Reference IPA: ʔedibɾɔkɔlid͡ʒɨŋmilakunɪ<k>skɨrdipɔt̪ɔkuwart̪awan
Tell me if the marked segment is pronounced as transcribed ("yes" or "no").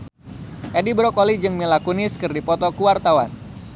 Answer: no